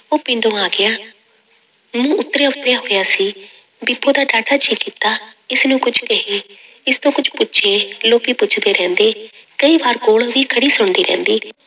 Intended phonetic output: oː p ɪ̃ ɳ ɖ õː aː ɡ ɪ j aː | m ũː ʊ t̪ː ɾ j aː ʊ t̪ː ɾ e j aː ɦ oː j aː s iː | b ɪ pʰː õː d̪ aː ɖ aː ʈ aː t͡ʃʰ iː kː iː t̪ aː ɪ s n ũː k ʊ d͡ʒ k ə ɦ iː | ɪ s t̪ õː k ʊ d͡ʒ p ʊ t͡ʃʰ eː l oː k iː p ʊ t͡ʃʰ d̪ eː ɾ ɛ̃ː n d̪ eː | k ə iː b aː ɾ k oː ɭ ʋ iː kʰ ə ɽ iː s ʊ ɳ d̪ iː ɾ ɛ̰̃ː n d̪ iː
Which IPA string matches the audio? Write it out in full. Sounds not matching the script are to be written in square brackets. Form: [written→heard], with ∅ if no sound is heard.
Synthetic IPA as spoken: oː p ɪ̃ ɳ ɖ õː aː ɡ ɪ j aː | m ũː ʊ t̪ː ɾ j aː ʊ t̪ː ɾ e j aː ɦ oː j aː s iː | b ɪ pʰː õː d̪ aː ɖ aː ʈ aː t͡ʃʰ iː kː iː t̪ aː ɪ s n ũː k ʊ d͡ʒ k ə ɦ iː | ɪ s t̪ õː k ʊ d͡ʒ p ʊ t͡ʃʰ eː l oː k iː p ʊ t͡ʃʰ d̪ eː ɾ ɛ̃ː n d̪ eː | k ə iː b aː ɾ k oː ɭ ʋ iː kʰ ə ɽ iː s ʊ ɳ d̪ iː ɾ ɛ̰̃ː n d̪ iː